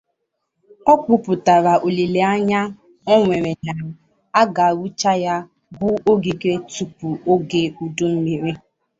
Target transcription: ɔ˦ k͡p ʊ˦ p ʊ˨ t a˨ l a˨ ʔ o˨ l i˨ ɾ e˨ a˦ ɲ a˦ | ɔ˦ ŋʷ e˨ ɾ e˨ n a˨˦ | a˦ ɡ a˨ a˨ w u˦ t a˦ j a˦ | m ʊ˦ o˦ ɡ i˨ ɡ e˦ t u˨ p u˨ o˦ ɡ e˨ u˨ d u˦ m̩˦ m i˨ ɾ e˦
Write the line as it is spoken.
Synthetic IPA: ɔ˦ k͡p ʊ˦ p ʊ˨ t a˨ ɾ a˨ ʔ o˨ l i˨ l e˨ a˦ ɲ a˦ | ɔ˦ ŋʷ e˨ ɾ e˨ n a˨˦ | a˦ ɡ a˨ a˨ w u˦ t͡ʃ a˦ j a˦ | b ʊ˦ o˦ ɡ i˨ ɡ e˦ t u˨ p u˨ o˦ ɡ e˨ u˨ d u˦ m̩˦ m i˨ ɾ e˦